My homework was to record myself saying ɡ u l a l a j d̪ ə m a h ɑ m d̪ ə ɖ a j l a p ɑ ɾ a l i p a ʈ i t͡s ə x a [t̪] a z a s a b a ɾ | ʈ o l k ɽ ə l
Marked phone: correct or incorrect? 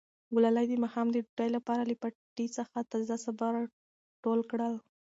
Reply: correct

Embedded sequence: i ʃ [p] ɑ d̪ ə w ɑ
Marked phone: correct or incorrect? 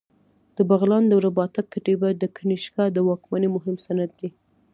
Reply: incorrect: k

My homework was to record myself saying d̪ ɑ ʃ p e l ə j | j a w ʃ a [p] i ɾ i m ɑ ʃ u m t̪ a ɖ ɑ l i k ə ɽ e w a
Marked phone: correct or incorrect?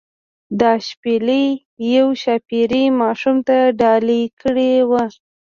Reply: correct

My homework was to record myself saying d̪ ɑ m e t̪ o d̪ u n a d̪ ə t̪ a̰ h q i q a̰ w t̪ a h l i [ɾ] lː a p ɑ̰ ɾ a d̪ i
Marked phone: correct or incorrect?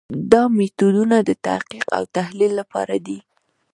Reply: incorrect: none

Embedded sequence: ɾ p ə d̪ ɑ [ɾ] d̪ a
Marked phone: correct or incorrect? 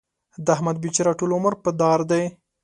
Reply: correct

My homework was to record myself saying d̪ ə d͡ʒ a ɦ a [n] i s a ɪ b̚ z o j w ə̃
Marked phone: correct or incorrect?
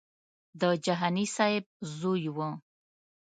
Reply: correct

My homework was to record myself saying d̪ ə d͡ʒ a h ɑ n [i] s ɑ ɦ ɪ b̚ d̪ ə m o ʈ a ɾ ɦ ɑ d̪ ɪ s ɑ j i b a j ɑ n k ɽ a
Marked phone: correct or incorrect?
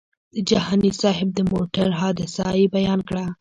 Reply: correct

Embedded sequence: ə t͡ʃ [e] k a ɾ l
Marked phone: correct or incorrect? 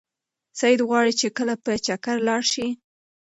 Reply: incorrect: a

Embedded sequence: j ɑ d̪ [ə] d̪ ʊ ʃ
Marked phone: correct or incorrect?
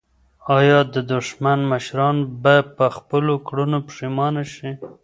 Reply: correct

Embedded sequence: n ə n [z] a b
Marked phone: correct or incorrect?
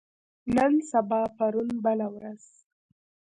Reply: incorrect: s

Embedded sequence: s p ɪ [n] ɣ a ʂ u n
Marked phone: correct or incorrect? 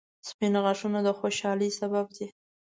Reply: correct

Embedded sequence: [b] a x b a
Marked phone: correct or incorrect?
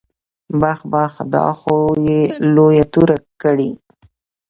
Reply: correct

